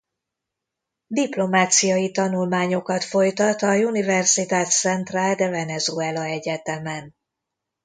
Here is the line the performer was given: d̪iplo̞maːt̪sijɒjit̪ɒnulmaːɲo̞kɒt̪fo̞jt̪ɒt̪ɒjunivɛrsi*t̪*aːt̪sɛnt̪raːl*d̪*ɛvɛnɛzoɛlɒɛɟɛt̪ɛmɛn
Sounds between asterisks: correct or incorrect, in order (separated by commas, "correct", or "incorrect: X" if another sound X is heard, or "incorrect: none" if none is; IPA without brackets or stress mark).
correct, correct